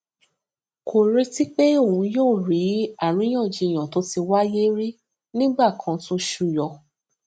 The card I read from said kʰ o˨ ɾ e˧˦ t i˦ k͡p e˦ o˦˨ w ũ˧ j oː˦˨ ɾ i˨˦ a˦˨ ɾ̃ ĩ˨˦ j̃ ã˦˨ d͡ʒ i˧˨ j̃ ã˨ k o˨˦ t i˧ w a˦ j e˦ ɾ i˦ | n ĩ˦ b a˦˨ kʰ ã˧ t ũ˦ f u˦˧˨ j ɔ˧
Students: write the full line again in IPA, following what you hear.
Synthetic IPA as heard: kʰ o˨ ɾ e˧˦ t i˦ k͡p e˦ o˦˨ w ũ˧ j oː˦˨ ɾ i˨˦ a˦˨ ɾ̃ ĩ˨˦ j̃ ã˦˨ d͡ʒ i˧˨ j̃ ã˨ t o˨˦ t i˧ w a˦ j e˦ ɾ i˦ | n ĩ˦ ɡ͡b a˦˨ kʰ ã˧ t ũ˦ ʃ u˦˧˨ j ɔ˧